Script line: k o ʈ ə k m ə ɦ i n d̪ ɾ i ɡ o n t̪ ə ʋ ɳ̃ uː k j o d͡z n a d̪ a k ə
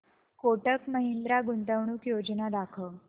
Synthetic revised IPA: k o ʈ ə k m ə ɦ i n d̪ ɾ a ɡ u n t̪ ə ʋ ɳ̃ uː k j o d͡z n a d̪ a kʰ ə